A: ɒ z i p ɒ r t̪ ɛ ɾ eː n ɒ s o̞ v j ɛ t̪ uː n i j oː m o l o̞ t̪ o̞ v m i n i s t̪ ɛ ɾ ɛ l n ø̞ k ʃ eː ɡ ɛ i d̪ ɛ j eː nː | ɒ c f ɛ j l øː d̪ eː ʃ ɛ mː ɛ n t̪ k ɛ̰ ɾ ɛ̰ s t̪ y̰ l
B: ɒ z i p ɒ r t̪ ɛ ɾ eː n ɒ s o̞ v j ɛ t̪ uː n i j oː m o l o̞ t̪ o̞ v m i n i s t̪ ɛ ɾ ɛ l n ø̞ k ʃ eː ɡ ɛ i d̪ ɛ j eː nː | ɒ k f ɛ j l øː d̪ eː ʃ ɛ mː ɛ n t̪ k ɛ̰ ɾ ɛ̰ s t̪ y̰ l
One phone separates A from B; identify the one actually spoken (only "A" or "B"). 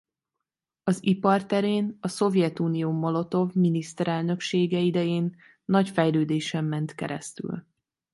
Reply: A